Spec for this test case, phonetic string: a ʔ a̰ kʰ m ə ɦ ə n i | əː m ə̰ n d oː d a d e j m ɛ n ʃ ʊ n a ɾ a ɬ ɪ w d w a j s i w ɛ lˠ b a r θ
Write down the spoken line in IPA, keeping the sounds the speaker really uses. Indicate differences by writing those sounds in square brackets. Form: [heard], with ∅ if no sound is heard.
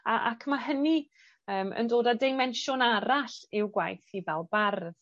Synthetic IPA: a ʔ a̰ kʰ m [a] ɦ ə n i | əː m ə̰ n d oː d a d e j m ɛ n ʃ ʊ n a ɾ a ɬ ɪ w [ɡ] w a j [θ] i [v] ɛ lˠ b a r [ð]